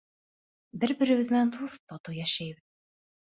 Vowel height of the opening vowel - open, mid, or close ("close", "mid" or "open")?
mid